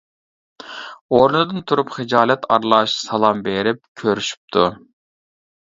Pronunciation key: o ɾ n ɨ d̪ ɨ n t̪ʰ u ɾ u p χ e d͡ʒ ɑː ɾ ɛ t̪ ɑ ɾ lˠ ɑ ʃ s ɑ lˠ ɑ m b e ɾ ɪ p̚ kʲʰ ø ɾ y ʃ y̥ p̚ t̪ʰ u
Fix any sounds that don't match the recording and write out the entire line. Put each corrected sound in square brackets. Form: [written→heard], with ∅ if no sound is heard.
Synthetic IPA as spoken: o ɾ n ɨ d̪ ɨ n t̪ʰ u ɾ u p χ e d͡ʒ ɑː [ɾ→l] ɛ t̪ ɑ ɾ lˠ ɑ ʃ s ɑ lˠ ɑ m b e ɾ ɪ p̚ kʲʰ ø ɾ y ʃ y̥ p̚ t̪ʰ u